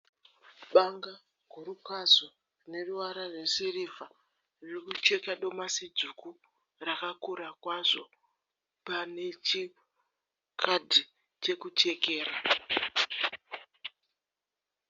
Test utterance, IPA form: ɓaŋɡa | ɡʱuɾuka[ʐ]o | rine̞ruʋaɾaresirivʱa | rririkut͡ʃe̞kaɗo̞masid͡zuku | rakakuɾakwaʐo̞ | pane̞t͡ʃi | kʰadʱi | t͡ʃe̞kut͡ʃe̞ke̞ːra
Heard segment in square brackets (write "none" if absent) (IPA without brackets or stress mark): z